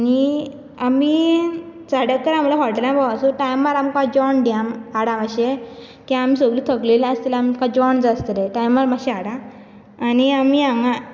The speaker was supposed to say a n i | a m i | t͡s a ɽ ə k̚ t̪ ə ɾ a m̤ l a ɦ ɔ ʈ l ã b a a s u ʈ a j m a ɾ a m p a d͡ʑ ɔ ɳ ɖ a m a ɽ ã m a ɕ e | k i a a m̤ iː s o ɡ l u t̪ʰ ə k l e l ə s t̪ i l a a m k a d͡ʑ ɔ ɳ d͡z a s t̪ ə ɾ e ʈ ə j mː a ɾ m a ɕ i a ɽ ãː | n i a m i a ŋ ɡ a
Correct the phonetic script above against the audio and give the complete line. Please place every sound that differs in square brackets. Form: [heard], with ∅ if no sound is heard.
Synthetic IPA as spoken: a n i | a m i | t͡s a ɽ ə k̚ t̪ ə ɾ a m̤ l a ɦ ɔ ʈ l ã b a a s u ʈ a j m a ɾ a m [k] a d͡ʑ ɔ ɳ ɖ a m a ɽ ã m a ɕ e | k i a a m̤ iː s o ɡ l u t̪ʰ ə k l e l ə s t̪ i l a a m k a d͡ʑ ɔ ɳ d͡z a s t̪ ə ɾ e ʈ [a] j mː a ɾ m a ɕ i a ɽ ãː | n i a m i a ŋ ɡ a